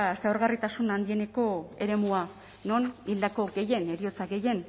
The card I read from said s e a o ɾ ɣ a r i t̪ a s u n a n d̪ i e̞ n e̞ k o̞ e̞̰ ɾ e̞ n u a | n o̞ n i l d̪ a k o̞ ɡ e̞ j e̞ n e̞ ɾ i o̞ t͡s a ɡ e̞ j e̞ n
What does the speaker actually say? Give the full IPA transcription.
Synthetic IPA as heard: s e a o ɾ ɣ a r i t̪ a s u n a n d̪ i e̞ n e̞ k o̞ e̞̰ ɾ e̞ m u a | n o̞ n i l d̪ a k o̞ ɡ e̞ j e̞ n e̞ ɾ i o̞ t͡s a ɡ e̞ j e̞ n